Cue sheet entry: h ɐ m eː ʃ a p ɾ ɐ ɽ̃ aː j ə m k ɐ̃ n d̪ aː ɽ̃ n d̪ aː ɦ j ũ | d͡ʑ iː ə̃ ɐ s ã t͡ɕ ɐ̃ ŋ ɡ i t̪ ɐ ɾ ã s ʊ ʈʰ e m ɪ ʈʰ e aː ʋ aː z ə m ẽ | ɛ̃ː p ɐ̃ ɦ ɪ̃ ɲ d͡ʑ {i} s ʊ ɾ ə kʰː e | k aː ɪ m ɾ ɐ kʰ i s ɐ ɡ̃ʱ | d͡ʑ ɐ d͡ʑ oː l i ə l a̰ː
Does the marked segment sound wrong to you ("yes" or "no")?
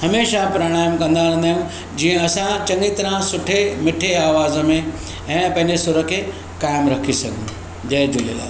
yes